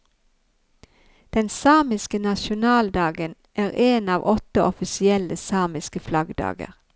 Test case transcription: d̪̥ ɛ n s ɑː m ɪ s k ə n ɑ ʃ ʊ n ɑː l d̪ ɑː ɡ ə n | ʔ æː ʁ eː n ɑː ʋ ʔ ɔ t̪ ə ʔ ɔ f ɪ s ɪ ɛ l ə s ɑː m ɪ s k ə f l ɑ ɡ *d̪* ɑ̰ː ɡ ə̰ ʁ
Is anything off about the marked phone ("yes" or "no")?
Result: no